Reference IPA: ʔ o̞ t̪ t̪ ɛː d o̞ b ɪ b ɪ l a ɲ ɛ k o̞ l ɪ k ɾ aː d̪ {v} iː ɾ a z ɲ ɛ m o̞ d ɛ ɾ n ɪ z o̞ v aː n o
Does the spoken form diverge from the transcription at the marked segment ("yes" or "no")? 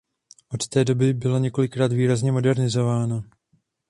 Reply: no